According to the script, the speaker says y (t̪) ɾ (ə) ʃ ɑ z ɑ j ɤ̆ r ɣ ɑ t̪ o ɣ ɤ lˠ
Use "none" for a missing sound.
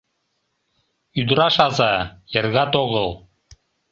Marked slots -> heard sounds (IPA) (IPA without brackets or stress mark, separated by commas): d̪, ɑ